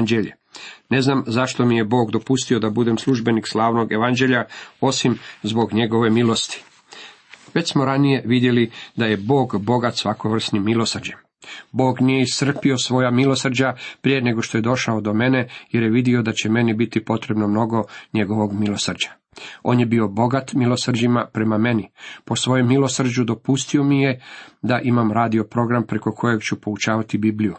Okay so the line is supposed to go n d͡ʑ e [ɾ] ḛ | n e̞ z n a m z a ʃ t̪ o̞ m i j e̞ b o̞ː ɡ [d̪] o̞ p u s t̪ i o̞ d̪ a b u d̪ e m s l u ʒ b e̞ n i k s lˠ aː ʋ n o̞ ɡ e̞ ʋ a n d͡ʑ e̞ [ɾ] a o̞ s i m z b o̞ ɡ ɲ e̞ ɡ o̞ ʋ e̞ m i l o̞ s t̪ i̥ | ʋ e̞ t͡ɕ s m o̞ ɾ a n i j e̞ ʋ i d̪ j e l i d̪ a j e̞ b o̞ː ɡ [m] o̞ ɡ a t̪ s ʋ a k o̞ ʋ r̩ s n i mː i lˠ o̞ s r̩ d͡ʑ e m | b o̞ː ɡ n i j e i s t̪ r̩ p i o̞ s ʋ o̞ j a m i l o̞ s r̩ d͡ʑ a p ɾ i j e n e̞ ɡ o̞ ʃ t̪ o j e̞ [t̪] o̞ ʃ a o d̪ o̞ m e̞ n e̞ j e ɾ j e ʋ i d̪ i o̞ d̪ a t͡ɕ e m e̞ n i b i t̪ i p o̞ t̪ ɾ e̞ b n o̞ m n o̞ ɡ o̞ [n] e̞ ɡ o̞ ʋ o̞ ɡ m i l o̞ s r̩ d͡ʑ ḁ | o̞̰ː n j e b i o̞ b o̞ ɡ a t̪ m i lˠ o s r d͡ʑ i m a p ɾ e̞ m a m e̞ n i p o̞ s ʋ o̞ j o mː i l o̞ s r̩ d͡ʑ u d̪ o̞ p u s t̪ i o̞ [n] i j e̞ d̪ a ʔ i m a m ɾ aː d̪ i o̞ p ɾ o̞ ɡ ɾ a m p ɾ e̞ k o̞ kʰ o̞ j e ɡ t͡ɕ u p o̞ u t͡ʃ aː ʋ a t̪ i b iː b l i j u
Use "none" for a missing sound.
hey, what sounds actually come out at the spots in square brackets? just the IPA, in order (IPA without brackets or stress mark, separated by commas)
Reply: ʎ, d̪, ʎ, b, d̪, ɲ, m